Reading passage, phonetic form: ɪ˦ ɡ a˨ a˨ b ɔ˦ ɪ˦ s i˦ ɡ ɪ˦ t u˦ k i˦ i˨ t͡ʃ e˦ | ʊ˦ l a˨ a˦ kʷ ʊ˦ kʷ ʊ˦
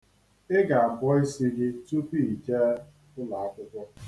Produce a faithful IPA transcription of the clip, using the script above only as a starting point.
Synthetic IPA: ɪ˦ ɡ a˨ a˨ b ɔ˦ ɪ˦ s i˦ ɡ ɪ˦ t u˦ p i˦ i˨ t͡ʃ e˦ | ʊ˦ l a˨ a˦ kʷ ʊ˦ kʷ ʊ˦